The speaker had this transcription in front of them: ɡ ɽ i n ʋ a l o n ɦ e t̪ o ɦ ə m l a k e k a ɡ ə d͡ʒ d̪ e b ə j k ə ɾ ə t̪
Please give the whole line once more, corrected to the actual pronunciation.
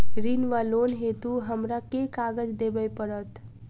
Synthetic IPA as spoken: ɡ ɾ i n ʋ a l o n ɦ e t̪ u ɦ ə m ɾ a k e k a ɡ ə d͡ʒ d̪ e b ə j p ə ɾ ə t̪